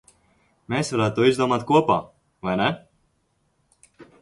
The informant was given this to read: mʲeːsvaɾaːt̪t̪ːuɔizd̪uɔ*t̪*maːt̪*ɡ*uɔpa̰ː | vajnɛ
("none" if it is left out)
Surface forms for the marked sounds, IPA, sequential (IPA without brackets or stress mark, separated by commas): none, k